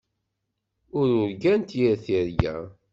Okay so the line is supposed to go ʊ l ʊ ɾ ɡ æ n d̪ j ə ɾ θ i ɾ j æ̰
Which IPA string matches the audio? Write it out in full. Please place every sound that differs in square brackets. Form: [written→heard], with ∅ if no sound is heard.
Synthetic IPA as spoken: ʊ [l→ɾ] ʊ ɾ ɡ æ n [d̪→t̪] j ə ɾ θ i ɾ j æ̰